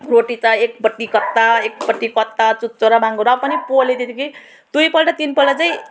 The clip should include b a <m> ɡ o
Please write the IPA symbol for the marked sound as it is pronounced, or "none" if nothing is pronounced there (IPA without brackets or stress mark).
ŋ